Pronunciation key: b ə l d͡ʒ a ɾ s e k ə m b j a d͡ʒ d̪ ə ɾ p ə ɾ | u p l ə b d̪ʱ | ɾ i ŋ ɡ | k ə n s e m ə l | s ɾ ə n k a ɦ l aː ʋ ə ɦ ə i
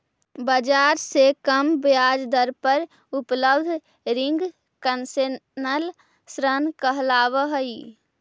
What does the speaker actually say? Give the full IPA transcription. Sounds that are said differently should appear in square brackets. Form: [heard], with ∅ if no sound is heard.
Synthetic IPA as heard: b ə [∅] d͡ʒ a ɾ s e k ə m b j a d͡ʒ d̪ ə ɾ p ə ɾ | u p l ə b d̪ʱ | ɾ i ŋ ɡ | k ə n s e [n] ə l | s ɾ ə n k [ə] ɦ l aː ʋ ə ɦ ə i